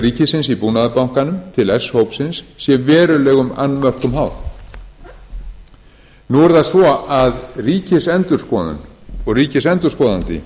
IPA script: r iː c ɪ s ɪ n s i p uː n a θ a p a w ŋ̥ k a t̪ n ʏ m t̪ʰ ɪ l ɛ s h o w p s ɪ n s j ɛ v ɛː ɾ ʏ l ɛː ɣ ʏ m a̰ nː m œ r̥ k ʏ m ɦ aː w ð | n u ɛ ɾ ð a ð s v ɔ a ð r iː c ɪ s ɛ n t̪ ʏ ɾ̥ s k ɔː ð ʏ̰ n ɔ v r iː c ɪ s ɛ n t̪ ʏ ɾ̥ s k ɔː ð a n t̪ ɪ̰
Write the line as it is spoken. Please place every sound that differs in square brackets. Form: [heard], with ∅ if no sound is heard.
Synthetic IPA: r iː c ɪ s ɪ n s i p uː n a [ð] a p a w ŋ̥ k a [∅] n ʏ m t̪ʰ ɪ l ɛ s h o w p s ɪ n [sː] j ɛ v ɛː ɾ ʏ l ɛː ɣ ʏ m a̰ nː m œ r̥ k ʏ m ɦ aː w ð | n u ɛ ɾ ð a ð s v ɔ a ð r iː c ɪ s ɛ n t̪ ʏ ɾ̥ s k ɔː ð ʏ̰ n ɔ [ɣ] r iː c ɪ s ɛ n t̪ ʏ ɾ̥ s k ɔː ð a n t̪ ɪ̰

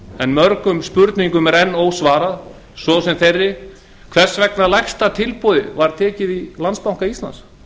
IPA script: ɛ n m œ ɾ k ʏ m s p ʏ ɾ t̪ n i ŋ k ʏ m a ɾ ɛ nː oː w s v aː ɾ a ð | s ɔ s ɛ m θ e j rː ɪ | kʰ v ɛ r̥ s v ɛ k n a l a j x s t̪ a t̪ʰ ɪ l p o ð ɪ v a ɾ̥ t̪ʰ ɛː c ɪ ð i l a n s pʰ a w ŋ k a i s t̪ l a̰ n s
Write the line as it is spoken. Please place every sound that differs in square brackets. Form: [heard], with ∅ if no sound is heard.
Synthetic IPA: ɛ n m œ ɾ k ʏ m s p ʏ ɾ t̪ n i ŋ k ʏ m [ɛ] ɾ ɛ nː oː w s v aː ɾ a ð | s ɔ s ɛ m θ e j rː ɪ | kʰ v ɛ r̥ s v ɛ k n a l a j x s t̪ a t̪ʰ ɪ l p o ð ɪ v a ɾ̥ t̪ʰ ɛː c ɪ ð i l a n s [p] a w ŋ k a i s t̪ l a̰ n s

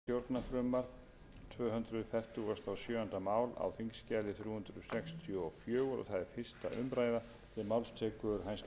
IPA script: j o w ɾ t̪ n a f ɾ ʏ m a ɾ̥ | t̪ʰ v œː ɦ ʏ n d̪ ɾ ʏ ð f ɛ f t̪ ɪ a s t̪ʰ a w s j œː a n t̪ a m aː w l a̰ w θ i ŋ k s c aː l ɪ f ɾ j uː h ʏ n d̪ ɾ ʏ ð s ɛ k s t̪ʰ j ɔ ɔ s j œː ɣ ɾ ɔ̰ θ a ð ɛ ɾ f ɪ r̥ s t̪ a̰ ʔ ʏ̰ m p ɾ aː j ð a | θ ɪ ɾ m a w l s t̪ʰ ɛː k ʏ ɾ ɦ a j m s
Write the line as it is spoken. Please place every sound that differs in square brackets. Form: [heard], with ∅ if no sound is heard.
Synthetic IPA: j o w ɾ t̪ n a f ɾ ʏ m a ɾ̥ | t̪ʰ v œː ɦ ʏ n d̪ ɾ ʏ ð f ɛ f t̪ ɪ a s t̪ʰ a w s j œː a n t̪ a m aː w l a̰ w θ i ŋ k s c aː l ɪ [θ] ɾ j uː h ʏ n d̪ ɾ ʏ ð s ɛ k s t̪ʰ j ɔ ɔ [f] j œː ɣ ɾ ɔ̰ θ a ð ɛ ɾ f ɪ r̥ s t̪ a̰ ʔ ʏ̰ m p ɾ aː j ð a | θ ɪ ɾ m a w l s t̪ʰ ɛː k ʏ ɾ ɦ a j [n] s

